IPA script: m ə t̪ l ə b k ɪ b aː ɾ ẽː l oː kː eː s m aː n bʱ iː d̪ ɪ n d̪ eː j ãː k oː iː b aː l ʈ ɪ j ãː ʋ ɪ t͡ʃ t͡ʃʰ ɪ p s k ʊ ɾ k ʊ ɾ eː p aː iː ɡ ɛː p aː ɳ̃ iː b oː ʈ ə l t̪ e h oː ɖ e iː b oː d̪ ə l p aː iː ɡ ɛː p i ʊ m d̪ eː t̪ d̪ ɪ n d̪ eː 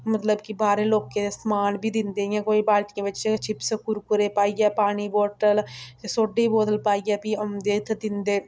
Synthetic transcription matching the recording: m ə t̪ l ə b k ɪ b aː ɾ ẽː l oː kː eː s m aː n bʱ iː d̪ ɪ n d̪ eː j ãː k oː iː b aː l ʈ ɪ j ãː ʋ ɪ t͡ʃ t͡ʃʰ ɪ p s k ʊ ɾ k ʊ ɾ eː p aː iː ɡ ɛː p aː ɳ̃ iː b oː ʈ ə l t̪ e s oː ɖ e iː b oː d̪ ə l p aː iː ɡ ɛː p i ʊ m d̪ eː t̪ d̪ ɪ n d̪ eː